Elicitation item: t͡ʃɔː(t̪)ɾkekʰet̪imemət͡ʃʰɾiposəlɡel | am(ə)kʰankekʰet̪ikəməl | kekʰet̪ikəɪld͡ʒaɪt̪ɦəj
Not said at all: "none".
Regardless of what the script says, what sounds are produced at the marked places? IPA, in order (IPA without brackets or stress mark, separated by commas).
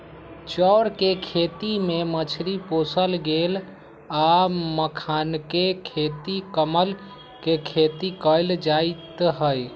none, ə